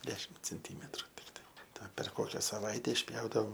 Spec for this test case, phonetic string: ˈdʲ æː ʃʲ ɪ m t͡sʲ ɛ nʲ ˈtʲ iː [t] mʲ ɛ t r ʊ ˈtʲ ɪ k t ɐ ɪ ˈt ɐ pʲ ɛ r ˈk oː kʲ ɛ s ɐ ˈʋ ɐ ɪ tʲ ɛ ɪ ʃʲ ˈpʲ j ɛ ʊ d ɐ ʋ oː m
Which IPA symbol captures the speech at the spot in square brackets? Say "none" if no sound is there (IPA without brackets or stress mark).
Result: none